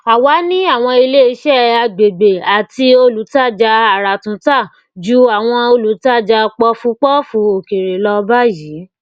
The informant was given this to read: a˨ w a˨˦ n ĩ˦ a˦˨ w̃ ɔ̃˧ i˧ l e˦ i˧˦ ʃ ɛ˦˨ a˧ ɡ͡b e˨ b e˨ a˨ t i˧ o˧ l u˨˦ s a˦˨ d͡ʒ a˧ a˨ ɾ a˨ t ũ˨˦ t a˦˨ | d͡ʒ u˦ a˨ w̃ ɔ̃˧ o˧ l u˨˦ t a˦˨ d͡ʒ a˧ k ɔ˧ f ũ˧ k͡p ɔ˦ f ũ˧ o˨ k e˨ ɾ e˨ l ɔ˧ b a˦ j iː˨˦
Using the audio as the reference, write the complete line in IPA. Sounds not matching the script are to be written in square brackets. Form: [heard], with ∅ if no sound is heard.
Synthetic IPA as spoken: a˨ w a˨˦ n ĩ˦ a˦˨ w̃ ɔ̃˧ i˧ l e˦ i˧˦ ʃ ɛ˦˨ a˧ ɡ͡b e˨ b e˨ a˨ t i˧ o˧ l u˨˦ [t] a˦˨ d͡ʒ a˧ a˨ ɾ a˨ t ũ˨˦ t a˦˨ | d͡ʒ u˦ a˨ w̃ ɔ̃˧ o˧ l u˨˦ t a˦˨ d͡ʒ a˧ [k͡p] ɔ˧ f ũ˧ k͡p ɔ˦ f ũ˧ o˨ k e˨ ɾ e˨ l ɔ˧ b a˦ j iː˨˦